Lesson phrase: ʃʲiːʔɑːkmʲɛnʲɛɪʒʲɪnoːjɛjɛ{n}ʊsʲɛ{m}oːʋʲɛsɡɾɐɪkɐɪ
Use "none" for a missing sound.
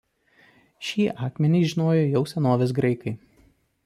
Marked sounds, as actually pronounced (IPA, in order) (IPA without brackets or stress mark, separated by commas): none, n